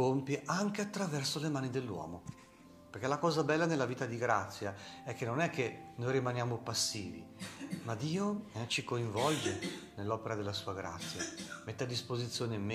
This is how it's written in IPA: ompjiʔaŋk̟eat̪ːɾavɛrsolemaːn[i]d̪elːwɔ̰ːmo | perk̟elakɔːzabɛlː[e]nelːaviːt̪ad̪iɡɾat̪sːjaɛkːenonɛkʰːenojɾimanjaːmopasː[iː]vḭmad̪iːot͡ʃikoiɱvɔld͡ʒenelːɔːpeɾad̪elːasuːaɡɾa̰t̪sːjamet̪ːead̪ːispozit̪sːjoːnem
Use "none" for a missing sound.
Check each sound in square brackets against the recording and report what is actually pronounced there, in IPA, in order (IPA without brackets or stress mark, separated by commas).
i, a, iː